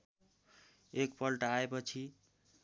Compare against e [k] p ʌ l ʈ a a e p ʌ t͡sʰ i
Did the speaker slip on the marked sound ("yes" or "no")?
no